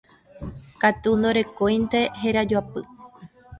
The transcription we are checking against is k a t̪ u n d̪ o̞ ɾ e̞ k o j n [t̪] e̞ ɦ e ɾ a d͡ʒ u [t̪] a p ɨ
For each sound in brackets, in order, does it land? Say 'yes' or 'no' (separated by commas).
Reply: yes, no